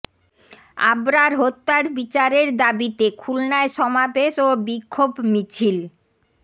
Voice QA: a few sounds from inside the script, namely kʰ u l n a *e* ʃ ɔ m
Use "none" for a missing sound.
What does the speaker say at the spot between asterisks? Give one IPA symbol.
e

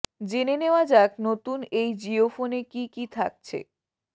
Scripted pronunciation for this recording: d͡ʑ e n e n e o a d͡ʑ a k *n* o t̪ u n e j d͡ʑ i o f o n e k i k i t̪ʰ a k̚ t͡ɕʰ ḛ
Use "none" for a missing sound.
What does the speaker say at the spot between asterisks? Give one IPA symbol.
n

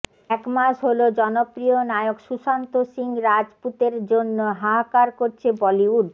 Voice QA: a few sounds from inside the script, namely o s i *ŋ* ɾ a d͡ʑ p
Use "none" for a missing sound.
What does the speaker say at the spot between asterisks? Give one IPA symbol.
ŋ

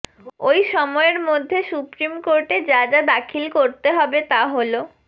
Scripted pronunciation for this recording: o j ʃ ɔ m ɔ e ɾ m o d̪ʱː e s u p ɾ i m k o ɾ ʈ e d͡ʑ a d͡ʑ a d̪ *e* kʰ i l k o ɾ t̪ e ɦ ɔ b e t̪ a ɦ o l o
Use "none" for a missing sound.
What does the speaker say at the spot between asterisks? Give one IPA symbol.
a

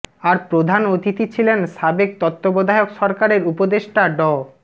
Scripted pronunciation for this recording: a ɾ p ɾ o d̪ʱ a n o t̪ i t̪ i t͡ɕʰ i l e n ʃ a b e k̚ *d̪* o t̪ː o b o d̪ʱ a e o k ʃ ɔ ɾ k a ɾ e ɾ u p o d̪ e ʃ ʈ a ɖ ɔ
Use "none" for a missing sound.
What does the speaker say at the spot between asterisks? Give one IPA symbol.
t̪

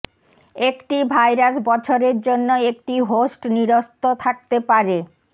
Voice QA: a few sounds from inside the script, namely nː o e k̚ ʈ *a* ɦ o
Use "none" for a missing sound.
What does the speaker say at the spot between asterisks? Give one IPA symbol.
i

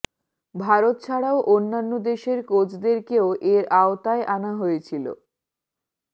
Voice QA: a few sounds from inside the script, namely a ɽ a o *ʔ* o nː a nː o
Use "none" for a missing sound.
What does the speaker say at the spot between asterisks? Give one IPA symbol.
ʔ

